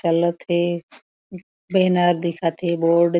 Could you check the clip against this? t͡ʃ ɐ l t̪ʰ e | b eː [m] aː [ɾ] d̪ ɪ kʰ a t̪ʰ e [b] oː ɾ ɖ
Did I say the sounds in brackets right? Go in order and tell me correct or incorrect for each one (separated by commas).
incorrect, correct, correct